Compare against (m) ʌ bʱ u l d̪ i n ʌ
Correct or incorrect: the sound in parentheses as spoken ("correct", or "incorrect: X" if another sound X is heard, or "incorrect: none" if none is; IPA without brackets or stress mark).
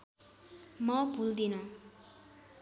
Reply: correct